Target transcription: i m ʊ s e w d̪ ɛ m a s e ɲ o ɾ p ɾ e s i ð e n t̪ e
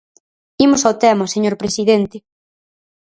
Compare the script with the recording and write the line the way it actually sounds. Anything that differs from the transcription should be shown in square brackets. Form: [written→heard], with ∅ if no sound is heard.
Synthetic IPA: i m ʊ s [e→a] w [d̪→t̪] ɛ m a s e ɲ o ɾ p ɾ e s i ð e n t̪ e